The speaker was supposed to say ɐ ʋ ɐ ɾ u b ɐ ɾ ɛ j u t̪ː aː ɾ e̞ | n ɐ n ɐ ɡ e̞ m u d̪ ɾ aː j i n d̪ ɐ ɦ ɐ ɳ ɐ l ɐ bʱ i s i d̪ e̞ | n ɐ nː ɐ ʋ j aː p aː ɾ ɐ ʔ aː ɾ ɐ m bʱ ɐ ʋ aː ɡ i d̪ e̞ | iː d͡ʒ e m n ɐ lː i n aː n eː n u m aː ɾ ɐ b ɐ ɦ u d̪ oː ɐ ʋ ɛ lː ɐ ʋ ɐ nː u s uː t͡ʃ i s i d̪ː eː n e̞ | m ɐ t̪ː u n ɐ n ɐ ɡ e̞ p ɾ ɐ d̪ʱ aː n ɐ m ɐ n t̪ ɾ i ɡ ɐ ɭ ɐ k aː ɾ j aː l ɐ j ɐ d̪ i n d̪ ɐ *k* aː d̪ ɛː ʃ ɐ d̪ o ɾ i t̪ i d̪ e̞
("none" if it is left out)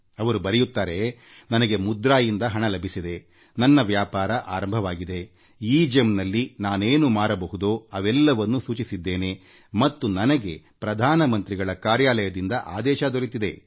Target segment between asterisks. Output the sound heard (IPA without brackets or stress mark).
ʔ